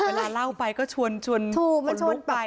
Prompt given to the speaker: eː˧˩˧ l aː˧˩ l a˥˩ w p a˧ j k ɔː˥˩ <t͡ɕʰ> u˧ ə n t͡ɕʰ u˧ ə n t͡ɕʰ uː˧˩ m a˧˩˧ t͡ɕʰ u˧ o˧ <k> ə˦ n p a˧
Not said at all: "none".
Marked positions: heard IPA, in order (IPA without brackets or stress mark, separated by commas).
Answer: t͡ɕʰ, none